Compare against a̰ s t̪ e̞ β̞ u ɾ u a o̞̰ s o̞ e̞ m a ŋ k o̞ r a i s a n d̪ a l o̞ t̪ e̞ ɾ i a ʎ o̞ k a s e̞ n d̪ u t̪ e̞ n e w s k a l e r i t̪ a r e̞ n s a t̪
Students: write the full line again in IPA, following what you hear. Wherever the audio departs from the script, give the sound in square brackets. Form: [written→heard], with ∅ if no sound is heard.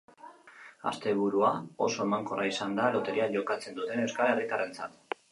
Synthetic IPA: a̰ s t̪ e̞ β̞ u ɾ u a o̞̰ s o̞ e̞ m a ŋ k o̞ r a i s a n d̪ a l o̞ t̪ e̞ ɾ i a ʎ o̞ k a [s→t͡s] e̞ n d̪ u t̪ e̞ n e w s k a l e r i t̪ a r e̞ n [s→t͡s] a t̪